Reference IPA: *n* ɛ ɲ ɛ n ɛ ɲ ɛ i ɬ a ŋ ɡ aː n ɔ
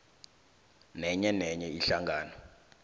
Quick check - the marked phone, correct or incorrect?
correct